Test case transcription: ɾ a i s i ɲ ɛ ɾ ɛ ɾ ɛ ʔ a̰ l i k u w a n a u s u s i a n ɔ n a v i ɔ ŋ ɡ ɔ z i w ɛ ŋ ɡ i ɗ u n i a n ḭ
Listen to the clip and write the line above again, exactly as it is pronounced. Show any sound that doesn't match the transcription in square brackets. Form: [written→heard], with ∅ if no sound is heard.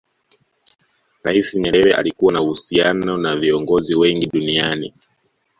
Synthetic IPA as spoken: ɾ a i s i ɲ ɛ ɾ ɛ ɾ ɛ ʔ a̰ l i k u w a n a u [s→h] u s i a n ɔ n a v i ɔ ŋ ɡ ɔ z i w ɛ ŋ ɡ i ɗ u n i a n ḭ